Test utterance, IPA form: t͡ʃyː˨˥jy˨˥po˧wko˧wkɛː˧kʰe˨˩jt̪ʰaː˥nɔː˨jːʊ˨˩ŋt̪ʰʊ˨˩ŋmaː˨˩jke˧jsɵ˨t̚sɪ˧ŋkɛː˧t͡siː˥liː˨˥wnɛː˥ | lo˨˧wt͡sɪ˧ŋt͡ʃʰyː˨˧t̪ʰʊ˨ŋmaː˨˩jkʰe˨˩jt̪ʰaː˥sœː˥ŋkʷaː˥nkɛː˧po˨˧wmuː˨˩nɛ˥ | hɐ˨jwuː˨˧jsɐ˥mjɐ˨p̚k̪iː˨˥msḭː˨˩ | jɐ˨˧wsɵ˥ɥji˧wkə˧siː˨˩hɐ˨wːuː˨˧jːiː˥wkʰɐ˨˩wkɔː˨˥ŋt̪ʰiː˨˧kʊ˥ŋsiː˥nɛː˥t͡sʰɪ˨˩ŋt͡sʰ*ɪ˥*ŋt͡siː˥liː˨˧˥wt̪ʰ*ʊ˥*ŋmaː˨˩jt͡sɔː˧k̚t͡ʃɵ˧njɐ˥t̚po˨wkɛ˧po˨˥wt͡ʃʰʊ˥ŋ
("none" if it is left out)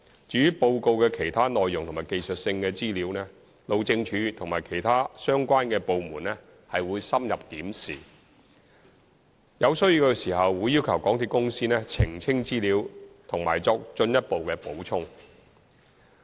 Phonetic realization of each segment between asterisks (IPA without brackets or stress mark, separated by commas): ɪ˥, ʊ˨˩